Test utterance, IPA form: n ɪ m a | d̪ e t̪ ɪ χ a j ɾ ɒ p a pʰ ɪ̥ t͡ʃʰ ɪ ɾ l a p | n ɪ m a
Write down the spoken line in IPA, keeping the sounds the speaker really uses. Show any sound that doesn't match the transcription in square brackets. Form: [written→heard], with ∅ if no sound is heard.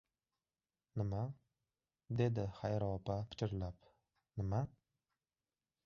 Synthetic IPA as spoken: n ɪ m a | d̪ e [t̪→d̪] ɪ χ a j ɾ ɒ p a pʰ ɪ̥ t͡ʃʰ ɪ ɾ l a p | n ɪ m a